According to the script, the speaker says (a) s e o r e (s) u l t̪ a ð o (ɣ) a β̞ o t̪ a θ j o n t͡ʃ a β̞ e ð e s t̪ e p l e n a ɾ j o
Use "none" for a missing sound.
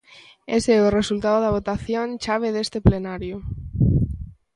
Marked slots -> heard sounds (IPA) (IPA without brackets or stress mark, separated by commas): e, s, ð